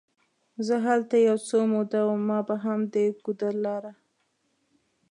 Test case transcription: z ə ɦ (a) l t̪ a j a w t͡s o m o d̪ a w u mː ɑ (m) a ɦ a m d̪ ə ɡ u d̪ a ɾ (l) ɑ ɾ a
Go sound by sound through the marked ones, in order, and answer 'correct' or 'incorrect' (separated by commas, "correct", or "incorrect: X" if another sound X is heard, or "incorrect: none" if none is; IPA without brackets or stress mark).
correct, incorrect: b, correct